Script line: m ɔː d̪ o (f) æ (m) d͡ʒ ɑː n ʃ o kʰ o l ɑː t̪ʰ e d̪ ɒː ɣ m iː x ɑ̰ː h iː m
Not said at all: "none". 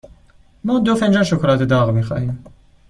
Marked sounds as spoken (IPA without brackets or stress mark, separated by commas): f, n